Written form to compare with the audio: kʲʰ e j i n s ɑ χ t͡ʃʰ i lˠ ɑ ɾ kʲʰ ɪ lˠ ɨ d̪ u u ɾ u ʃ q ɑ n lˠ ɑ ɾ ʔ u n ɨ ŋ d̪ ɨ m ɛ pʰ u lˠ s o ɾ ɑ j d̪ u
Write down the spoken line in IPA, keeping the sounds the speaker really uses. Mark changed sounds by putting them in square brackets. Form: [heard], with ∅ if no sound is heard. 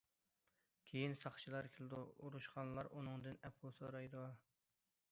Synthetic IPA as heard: kʲʰ e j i n s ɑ χ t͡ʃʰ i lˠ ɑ ɾ kʲʰ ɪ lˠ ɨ d̪ u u ɾ u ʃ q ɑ n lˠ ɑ ɾ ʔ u n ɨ ŋ d̪ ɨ [n] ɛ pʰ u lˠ s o ɾ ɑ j d̪ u